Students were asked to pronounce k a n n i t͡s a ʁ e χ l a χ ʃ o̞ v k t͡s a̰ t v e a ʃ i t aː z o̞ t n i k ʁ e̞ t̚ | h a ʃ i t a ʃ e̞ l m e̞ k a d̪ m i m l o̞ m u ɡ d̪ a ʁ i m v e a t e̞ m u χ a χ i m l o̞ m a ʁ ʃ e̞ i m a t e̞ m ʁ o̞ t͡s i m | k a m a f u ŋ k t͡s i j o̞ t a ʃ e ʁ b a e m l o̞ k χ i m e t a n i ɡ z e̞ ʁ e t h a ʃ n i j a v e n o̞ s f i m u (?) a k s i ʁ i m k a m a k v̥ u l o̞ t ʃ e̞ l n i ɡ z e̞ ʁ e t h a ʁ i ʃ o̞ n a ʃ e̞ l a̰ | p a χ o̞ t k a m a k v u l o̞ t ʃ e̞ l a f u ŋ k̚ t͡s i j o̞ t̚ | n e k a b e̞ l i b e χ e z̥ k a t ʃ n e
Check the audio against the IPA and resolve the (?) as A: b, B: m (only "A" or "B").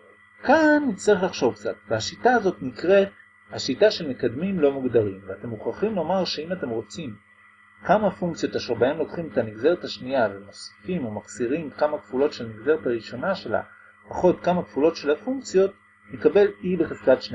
B